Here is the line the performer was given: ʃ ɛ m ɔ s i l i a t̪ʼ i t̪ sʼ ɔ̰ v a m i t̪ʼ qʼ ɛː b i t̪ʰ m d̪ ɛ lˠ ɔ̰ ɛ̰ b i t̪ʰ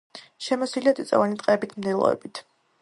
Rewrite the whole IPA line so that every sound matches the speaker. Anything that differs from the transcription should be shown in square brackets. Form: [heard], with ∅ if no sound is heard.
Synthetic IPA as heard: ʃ ɛ m ɔ s i l i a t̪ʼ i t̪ sʼ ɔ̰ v a [n] i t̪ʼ qʼ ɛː b i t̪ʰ m d̪ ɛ lˠ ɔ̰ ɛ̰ b i t̪ʰ